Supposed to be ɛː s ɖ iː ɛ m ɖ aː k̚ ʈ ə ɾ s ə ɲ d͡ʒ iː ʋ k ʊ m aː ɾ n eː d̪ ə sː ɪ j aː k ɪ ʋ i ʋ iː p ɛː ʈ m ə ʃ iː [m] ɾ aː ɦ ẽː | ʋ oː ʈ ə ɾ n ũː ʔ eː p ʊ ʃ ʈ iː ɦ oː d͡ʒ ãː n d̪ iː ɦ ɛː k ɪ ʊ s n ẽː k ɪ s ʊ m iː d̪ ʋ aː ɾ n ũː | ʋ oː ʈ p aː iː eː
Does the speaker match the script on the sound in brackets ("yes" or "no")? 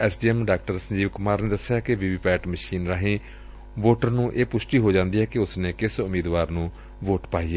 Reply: no